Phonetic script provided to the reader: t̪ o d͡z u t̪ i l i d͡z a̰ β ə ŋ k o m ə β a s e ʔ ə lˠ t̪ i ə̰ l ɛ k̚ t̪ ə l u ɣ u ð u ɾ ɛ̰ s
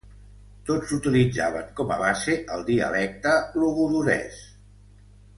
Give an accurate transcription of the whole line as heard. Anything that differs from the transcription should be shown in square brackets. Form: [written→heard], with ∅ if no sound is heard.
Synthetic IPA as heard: t̪ o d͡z u t̪ i l i d͡z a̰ β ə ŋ k [o→ɔ] m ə β a s e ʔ ə lˠ [t̪→d̪] i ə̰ l ɛ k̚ t̪ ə l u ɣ u ð u ɾ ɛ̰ s